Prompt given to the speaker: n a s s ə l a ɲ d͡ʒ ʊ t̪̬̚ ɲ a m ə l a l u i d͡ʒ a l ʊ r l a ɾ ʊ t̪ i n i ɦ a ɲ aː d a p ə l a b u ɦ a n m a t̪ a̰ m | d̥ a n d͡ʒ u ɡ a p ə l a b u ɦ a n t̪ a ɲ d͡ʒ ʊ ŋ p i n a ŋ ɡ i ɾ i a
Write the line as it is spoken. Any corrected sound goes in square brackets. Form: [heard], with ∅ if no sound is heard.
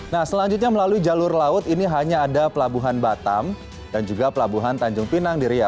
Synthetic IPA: n a [h] s ə l a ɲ d͡ʒ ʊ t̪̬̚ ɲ a m ə l a l u i d͡ʒ a l ʊ r l a [∅] ʊ t̪ i n i ɦ a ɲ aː d a p ə l a b u ɦ a n [b] a t̪ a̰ m | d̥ a n d͡ʒ u ɡ a p ə l a b u ɦ a n t̪ a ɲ d͡ʒ ʊ ŋ p i n a ŋ [d] i ɾ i a